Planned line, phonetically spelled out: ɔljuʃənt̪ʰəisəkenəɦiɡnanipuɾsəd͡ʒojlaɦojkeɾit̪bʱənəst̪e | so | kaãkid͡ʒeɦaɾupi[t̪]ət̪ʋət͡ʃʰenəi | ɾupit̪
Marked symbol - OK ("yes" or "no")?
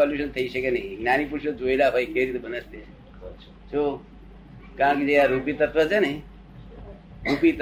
yes